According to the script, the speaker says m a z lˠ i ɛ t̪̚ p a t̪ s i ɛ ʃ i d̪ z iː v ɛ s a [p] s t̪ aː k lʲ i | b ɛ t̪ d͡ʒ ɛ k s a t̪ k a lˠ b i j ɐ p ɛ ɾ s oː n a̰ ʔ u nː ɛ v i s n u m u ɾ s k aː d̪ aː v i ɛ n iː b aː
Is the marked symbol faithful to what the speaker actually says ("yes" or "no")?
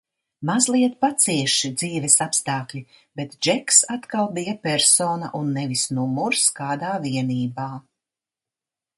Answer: yes